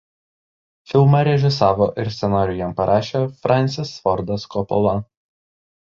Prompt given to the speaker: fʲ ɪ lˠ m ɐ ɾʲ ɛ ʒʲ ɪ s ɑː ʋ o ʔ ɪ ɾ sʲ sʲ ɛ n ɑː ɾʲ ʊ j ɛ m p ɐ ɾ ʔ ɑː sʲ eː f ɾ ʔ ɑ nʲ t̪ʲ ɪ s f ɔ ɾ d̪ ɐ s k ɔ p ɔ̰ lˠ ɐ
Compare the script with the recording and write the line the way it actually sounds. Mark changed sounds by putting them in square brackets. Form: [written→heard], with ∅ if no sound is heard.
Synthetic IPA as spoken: fʲ ɪ lˠ m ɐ ɾʲ ɛ ʒʲ ɪ s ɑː ʋ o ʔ ɪ ɾ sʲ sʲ ɛ n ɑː ɾʲ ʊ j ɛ m p ɐ ɾ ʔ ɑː [sʲ→ʃʲ] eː f ɾ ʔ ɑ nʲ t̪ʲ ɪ s f ɔ ɾ d̪ ɐ s k ɔ p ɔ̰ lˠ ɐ